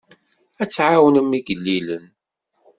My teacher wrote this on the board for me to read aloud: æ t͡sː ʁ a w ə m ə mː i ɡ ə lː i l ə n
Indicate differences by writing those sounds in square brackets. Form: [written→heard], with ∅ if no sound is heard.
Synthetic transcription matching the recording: æ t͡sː [ʁ→ʕ] a w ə [m→n] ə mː i ɡ ə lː i l ə n